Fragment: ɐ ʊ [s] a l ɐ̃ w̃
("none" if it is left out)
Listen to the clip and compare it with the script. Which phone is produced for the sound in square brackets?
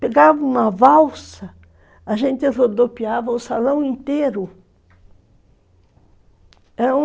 s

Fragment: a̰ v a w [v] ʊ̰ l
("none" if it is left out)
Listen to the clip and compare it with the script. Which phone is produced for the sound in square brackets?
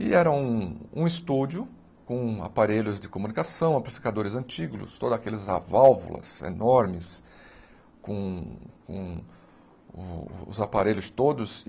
v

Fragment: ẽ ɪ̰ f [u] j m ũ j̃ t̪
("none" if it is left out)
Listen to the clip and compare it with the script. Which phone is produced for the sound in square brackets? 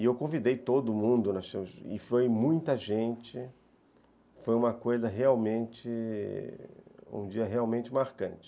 o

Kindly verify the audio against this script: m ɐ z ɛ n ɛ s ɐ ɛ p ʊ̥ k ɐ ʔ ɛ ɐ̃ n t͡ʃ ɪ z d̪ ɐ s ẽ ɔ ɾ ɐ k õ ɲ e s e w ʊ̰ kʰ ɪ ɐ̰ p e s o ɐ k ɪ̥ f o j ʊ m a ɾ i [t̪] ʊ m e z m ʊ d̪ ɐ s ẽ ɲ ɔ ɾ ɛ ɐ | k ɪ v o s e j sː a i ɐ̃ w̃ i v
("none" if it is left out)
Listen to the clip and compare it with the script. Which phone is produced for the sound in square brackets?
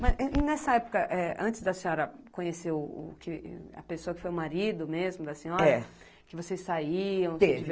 d̪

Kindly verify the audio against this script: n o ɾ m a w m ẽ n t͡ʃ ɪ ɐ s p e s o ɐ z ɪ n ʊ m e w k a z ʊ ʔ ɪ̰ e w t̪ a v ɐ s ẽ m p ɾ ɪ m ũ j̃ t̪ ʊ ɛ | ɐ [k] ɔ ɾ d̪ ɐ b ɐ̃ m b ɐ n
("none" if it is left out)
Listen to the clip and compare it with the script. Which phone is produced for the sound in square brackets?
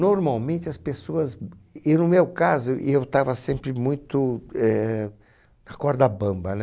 k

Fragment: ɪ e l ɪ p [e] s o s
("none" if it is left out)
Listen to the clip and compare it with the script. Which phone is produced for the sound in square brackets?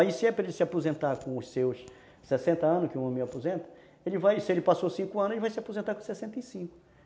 a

